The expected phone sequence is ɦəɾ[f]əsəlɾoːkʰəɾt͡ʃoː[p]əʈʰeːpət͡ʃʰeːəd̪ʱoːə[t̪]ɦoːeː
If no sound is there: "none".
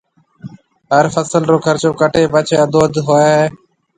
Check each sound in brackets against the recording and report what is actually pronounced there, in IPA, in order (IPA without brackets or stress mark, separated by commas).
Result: f, k, d̪